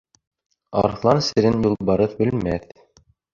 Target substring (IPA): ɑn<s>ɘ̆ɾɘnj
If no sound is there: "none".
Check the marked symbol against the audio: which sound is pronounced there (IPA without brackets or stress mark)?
s